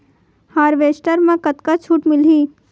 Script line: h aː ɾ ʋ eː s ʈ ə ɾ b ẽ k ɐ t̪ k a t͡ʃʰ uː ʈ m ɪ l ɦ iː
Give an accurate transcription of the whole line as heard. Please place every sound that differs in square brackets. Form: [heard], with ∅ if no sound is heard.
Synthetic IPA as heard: h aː ɾ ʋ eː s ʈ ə ɾ [m] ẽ k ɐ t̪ k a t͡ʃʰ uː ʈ m ɪ l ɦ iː